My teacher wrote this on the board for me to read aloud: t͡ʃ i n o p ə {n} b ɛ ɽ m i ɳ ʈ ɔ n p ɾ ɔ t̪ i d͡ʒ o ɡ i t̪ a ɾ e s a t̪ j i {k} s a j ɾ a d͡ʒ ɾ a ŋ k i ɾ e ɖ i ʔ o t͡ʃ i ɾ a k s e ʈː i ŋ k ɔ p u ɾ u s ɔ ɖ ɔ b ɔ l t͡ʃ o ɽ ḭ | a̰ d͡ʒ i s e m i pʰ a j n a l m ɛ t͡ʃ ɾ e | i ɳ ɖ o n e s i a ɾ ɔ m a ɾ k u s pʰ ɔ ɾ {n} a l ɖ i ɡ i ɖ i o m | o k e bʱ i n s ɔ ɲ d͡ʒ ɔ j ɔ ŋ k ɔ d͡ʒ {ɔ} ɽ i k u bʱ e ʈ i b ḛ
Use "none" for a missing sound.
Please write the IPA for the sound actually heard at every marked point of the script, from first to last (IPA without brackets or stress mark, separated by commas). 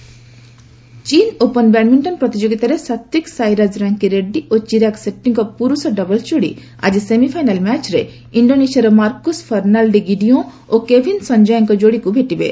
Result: n, k, n, o